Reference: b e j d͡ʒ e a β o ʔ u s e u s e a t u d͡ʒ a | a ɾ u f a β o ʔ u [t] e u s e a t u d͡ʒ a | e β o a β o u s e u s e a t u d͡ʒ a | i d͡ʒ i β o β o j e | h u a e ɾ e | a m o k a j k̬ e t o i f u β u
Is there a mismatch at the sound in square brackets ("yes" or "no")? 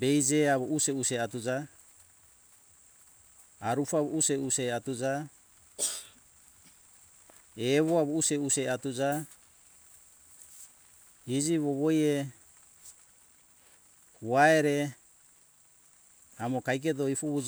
yes